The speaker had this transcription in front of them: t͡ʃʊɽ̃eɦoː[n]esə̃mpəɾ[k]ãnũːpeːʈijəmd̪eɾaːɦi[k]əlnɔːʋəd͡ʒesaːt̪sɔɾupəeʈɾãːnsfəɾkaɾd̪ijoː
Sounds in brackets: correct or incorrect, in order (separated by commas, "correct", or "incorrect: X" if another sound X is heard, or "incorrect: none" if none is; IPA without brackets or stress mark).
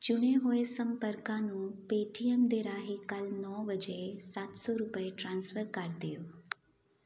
incorrect: none, correct, correct